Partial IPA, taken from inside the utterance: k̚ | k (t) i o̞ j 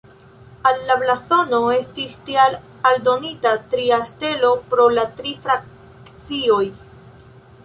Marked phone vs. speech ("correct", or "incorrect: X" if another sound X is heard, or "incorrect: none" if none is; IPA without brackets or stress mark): incorrect: t͡s